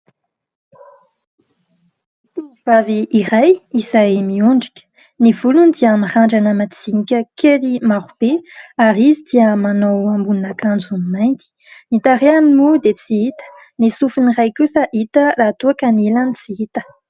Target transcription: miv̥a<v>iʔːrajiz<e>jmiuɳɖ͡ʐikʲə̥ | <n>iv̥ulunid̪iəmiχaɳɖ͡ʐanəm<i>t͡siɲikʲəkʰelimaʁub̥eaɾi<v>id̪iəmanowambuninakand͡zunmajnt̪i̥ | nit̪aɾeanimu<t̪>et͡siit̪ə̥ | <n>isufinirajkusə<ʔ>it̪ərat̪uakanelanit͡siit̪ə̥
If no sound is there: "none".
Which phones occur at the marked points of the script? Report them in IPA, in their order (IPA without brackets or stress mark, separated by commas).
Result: v, a, n, a, z, d̪, n, ʔ